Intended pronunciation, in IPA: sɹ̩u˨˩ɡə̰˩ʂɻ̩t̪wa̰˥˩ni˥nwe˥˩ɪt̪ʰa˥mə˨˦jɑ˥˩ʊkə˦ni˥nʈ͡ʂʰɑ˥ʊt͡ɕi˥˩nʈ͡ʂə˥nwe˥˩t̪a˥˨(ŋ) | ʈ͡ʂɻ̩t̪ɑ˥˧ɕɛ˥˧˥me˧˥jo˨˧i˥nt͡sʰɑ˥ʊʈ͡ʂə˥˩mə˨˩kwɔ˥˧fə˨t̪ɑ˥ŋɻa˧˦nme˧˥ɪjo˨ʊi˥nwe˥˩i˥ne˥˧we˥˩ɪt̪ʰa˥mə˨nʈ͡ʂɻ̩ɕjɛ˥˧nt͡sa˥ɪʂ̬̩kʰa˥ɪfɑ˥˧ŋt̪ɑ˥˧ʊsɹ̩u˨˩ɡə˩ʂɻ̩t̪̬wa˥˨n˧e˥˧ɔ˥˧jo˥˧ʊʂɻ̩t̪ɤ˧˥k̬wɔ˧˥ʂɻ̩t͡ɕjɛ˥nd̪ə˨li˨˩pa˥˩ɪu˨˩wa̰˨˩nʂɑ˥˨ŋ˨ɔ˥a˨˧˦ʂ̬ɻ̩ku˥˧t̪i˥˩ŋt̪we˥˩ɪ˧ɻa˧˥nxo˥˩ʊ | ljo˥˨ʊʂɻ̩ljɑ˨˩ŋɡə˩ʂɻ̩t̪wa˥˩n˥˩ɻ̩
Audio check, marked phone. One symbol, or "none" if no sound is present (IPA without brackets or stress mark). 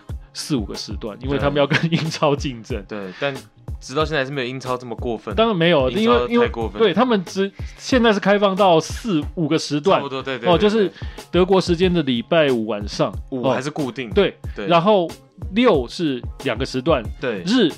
n